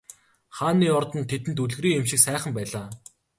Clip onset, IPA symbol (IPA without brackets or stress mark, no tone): χ